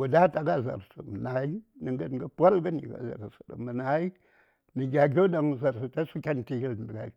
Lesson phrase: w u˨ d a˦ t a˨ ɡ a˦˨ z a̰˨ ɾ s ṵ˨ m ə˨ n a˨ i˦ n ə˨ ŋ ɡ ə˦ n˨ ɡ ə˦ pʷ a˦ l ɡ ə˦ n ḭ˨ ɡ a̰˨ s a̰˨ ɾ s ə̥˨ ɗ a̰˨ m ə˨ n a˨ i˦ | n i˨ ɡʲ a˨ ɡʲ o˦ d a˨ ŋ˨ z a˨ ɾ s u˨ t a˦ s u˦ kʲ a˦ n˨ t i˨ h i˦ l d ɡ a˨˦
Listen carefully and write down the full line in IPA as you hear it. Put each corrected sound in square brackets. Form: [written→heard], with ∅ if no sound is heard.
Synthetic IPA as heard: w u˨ d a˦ t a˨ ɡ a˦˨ z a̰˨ ɾ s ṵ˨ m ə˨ n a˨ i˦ n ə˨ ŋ ɡ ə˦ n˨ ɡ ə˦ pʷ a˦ l ɡ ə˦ n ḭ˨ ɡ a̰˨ [s→z] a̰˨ ɾ s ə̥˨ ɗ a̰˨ m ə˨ n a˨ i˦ | n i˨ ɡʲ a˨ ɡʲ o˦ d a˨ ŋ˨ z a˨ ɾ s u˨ t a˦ s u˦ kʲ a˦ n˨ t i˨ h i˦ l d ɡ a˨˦